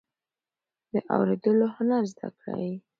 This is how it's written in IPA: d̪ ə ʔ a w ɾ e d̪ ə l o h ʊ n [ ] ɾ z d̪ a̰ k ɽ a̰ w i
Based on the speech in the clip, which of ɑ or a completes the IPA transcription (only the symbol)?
a